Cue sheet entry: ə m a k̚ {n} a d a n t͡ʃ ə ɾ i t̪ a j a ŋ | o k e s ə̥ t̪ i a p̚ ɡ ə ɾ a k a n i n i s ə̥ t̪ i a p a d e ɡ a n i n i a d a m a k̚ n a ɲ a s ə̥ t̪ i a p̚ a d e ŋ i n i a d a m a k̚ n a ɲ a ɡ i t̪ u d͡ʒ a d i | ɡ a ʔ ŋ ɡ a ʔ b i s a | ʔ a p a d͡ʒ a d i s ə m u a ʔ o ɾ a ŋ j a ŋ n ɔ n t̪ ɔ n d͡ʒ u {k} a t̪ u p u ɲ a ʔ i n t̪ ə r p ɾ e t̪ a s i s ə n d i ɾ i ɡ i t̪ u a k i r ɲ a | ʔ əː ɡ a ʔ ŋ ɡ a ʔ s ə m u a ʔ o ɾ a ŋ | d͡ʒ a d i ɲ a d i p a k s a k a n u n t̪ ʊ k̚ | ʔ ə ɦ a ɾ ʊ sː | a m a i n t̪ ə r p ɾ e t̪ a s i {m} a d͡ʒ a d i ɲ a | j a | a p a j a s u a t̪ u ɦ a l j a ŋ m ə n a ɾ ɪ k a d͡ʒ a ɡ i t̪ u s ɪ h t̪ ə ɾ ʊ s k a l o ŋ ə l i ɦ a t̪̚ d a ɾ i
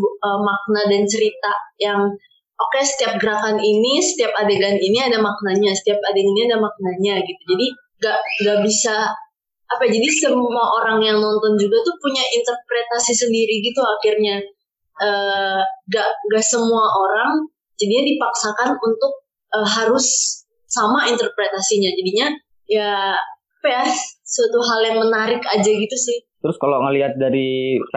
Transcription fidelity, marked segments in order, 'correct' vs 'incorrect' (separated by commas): correct, incorrect, incorrect